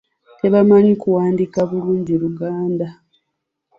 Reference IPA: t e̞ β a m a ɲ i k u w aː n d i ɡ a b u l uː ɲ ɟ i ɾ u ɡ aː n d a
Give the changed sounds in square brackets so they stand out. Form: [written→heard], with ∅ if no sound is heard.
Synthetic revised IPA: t e̞ β a m a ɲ i k u w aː n d i [ɡ→k] a [b→β] u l uː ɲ ɟ i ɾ u ɡ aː n d a